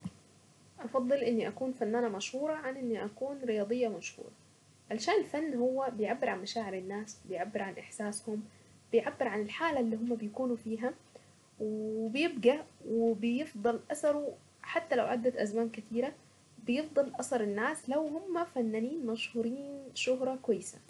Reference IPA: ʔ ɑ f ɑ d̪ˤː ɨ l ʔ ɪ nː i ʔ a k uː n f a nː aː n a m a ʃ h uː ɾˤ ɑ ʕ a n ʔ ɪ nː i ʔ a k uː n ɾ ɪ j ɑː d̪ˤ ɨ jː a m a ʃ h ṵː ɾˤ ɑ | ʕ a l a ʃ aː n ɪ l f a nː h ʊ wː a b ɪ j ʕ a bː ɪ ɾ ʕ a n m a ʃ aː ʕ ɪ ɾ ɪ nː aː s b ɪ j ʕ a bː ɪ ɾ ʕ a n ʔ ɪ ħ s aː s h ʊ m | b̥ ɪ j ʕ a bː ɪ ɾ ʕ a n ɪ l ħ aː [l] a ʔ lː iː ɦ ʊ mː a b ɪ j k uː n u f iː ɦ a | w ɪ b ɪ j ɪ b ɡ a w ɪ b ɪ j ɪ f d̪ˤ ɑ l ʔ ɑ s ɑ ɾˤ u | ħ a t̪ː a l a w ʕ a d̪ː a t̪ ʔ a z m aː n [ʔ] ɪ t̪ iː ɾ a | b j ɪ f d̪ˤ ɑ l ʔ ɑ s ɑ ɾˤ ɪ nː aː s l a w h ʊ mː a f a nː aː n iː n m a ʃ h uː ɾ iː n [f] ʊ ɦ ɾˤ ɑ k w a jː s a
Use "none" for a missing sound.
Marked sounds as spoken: l, k, ʃ

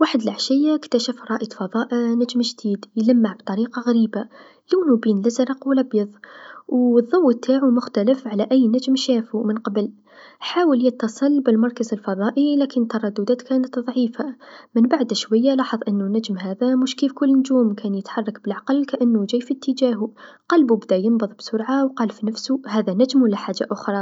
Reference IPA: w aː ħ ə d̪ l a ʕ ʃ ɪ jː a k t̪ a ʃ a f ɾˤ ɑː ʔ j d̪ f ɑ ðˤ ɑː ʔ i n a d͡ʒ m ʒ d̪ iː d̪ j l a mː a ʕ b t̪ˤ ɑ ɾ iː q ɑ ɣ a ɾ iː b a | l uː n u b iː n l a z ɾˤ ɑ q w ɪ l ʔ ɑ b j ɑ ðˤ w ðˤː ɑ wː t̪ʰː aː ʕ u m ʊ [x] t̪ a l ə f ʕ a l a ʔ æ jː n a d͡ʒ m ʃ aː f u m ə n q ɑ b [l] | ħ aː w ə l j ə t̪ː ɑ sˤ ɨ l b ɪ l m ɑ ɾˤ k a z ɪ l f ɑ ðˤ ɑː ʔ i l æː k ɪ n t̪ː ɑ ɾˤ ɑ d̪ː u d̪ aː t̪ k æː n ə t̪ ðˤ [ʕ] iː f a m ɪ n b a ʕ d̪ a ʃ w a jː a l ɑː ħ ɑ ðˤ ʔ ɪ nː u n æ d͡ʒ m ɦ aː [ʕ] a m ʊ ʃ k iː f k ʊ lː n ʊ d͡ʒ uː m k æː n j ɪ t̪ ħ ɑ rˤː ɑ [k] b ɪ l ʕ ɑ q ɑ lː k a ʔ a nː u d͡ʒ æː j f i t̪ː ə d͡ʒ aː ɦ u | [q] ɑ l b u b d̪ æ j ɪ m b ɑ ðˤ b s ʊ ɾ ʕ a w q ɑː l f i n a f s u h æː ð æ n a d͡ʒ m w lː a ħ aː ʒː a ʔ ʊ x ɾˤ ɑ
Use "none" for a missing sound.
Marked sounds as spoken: x, l, ʕ, ð, k, q

